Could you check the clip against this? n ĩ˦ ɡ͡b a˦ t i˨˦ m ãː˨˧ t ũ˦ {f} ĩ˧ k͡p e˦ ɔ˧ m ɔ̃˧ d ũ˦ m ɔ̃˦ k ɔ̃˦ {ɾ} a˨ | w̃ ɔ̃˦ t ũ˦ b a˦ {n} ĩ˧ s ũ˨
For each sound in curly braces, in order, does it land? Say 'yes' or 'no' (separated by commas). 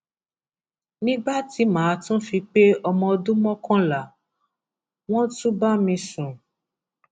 yes, no, no